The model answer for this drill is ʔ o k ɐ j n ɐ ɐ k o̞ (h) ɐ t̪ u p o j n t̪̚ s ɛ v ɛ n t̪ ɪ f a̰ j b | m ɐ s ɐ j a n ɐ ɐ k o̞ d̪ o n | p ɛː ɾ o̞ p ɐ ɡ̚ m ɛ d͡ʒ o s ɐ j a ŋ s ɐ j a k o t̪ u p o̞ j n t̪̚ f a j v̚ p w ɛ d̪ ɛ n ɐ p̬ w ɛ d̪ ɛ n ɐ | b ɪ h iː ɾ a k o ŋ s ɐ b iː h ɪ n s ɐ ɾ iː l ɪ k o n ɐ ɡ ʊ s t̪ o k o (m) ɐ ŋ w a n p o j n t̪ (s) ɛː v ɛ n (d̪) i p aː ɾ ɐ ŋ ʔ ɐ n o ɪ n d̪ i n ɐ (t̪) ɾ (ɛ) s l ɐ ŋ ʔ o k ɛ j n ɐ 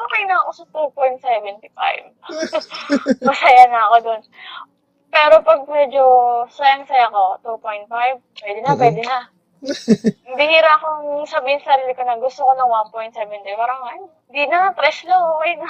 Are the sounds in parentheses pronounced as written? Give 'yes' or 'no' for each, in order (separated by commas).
no, no, yes, no, yes, yes